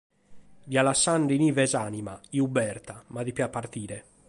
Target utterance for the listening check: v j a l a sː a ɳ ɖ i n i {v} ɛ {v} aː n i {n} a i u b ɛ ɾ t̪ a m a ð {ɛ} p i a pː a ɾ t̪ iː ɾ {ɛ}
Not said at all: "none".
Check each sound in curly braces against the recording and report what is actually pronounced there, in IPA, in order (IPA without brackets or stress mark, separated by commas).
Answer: v, z, m, i, ɛ